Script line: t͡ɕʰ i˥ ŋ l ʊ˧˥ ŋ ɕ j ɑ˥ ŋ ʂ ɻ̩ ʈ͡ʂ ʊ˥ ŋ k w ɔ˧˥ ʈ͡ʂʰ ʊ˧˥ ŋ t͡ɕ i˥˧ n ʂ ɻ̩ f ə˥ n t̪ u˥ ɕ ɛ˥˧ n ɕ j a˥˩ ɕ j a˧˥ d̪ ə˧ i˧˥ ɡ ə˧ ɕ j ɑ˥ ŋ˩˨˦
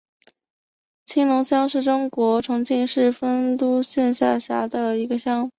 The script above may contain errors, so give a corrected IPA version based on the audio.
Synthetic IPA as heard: t͡ɕʰ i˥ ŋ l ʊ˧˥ ŋ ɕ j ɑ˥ ŋ ʂ ɻ̩ ʈ͡ʂ ʊ˥ ŋ k w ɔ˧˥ ʈ͡ʂʰ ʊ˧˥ ŋ t͡ɕ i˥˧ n ʂ ɻ̩ f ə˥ n t̪ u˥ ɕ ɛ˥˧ n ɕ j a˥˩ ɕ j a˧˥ d̪ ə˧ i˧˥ ɡ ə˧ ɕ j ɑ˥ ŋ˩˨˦